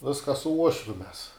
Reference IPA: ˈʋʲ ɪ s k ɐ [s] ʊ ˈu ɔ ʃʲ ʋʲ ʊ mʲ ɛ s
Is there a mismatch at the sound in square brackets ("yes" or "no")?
no